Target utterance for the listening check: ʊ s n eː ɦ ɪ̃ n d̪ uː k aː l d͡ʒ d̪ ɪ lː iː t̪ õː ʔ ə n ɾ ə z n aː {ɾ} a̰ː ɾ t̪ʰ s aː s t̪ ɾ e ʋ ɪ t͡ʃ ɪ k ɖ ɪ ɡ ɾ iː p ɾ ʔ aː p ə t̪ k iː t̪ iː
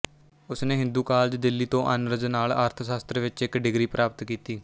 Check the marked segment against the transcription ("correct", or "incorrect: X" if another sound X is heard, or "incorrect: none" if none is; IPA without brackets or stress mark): incorrect: l